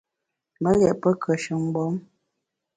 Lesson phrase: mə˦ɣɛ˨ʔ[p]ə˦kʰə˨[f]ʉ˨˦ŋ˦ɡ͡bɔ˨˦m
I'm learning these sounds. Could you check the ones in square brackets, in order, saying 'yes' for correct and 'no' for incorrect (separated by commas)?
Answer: yes, no